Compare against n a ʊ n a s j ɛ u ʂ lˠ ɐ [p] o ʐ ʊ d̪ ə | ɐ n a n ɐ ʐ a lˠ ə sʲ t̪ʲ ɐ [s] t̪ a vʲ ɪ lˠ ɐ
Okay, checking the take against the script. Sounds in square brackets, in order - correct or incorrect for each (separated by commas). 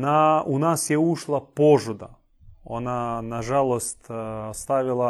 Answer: correct, correct